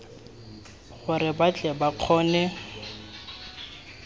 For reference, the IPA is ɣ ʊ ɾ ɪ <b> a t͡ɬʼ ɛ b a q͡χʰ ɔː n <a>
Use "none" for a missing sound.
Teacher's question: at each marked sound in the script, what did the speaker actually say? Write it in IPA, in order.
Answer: b, ɛ

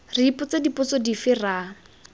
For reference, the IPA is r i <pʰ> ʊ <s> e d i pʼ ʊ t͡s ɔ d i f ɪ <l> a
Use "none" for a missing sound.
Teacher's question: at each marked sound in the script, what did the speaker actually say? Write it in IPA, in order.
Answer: p, t͡s, r

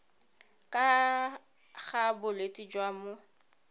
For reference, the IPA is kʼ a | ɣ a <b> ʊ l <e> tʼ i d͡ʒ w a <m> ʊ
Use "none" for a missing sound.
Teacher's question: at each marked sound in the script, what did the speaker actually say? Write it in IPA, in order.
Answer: b, e, m

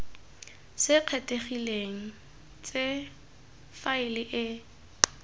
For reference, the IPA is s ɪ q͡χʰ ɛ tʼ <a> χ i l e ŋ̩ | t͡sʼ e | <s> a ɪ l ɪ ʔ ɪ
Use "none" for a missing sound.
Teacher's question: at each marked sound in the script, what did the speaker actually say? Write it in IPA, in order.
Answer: e, f

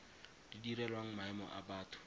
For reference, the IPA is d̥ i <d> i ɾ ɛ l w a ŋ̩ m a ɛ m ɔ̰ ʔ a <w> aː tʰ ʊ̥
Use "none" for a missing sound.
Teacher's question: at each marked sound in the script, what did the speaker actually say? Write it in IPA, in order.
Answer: d, b

